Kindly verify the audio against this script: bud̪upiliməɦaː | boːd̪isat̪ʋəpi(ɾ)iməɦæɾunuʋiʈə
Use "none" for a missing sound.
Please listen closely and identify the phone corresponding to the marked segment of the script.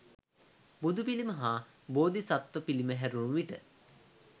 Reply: l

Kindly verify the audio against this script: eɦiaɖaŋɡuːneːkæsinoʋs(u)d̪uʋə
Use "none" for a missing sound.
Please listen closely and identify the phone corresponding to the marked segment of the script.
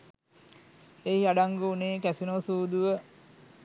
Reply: uː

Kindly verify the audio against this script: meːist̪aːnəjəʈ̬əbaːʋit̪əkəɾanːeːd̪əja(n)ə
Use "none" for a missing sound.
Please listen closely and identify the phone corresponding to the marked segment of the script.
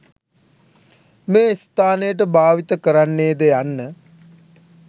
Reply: nː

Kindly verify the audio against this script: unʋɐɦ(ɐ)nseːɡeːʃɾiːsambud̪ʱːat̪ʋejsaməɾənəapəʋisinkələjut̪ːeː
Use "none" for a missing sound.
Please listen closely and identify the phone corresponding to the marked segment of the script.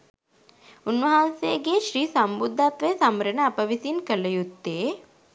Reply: a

